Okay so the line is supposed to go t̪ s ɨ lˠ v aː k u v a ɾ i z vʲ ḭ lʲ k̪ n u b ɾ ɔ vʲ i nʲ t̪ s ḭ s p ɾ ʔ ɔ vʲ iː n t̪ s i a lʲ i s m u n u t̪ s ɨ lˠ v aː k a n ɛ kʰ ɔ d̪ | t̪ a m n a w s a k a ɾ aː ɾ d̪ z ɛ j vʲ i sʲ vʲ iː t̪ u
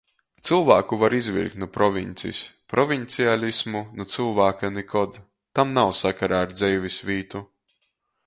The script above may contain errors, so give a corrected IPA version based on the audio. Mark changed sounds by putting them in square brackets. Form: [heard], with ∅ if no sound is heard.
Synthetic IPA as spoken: t̪ s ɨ lˠ v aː k u v a ɾ i z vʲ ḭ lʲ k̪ n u [p] ɾ ɔ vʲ i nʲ t̪ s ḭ s p ɾ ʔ ɔ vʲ [i] n t̪ s i a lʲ i s m u n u t̪ s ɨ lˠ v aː k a n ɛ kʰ ɔ d̪ | t̪ a m n a w s a k a ɾ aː ɾ d̪ z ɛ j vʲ i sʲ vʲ iː t̪ u